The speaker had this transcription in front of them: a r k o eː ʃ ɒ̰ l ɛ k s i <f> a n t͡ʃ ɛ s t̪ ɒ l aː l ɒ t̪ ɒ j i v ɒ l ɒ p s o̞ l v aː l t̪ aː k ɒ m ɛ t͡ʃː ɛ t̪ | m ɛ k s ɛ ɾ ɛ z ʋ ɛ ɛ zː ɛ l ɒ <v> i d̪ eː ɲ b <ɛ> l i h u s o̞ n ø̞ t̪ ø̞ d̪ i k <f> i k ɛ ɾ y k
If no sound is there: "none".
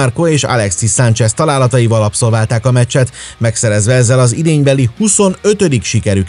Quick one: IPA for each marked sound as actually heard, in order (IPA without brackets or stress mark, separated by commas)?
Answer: s, z, ɛ, ʃ